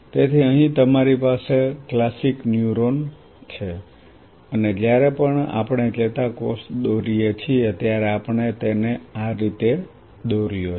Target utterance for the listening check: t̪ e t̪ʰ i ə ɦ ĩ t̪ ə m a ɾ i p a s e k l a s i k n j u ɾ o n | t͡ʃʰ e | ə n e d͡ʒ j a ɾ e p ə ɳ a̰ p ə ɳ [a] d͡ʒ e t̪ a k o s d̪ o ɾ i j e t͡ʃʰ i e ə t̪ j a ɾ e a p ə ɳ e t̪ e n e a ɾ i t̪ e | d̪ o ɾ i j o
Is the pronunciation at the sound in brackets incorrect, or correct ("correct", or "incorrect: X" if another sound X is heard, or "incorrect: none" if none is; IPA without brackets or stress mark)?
incorrect: e